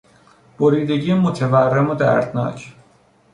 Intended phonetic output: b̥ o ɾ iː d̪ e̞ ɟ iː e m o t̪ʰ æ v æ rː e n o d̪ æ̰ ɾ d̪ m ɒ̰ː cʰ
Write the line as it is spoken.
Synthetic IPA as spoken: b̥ o ɾ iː d̪ e̞ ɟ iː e m o t̪ʰ e v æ rː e m o d̪ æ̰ ɾ d̪ n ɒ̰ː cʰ